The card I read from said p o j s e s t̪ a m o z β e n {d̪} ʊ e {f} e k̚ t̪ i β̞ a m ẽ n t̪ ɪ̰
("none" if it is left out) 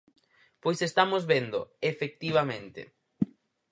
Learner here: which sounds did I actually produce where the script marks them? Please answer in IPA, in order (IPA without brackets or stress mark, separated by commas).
d̪, f